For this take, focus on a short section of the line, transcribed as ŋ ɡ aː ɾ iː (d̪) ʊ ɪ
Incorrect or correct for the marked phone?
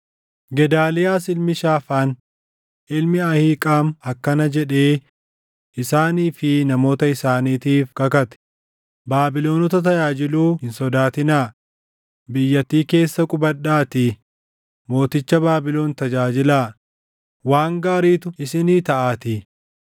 incorrect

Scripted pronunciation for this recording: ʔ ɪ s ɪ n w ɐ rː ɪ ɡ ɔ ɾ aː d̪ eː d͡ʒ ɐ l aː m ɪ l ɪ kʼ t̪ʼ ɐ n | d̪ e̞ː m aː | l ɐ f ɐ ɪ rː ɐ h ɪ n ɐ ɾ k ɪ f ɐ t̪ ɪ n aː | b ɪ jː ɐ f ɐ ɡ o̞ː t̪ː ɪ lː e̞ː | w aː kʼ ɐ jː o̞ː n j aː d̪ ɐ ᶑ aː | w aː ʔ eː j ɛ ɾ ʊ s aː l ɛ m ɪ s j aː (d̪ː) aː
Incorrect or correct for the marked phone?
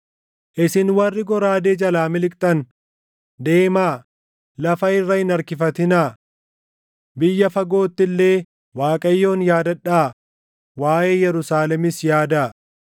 incorrect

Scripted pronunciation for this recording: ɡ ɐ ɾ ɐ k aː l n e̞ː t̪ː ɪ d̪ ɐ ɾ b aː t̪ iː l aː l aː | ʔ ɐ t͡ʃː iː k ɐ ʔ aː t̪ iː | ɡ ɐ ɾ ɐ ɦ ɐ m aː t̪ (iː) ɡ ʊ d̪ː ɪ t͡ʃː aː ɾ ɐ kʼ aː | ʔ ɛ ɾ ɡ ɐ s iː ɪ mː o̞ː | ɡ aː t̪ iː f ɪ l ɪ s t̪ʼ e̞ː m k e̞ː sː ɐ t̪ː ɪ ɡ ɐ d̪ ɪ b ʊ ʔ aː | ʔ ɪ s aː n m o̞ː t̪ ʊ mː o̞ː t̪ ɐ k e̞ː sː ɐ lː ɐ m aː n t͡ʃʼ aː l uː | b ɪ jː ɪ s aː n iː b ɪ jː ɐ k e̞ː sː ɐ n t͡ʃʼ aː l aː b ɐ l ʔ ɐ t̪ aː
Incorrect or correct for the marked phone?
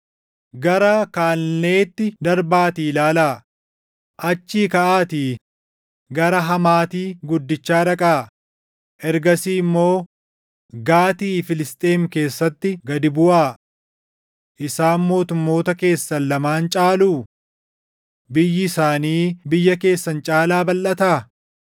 correct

